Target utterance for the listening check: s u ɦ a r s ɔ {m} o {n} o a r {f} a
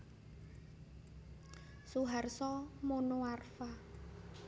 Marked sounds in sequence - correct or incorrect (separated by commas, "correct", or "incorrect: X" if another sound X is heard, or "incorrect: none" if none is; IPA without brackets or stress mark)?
correct, correct, correct